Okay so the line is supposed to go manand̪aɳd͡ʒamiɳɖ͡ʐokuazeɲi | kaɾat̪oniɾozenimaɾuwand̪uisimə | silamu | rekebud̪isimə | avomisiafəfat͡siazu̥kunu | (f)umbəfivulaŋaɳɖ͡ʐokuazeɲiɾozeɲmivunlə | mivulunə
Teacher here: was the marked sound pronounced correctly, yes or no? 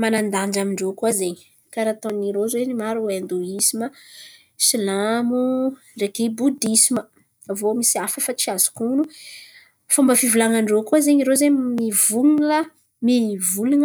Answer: yes